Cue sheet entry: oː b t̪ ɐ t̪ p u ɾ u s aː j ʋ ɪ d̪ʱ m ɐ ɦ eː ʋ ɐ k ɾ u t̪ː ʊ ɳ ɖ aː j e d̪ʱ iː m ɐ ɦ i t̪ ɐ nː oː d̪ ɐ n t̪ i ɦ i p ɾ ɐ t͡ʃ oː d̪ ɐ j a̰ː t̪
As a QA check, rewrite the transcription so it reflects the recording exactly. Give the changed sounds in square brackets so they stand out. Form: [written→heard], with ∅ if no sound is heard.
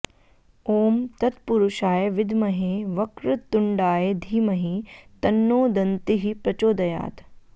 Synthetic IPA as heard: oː [b→m] t̪ ɐ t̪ p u ɾ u [s→ʃ] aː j ʋ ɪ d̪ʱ m ɐ ɦ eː ʋ ɐ k ɾ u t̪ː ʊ ɳ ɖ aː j e d̪ʱ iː m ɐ ɦ i t̪ ɐ nː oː d̪ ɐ n t̪ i ɦ i p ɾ ɐ t͡ʃ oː d̪ ɐ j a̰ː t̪